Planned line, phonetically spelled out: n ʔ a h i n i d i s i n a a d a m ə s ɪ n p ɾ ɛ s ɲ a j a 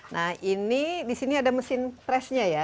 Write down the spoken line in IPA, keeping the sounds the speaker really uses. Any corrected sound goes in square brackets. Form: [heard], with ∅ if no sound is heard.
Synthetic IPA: n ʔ a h i n i d i s i n [i] a d a m ə s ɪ n p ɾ ɛ s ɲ a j a